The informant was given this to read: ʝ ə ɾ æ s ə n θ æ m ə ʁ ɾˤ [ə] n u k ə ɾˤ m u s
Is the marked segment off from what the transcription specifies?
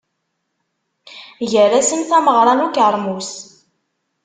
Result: yes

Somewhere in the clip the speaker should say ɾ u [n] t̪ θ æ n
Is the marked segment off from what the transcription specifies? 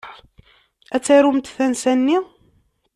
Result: yes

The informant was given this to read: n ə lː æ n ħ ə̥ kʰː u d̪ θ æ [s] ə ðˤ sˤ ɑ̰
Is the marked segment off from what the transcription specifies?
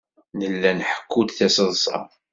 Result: no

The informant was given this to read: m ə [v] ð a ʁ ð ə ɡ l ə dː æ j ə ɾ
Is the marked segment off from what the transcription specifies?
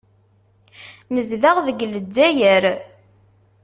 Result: yes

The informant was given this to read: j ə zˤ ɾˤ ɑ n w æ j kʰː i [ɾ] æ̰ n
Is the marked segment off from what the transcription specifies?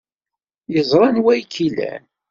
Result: yes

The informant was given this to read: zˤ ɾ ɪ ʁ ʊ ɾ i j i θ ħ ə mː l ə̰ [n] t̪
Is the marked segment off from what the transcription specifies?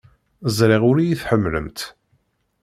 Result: yes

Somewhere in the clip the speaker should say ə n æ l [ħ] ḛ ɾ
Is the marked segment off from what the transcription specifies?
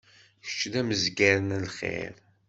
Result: yes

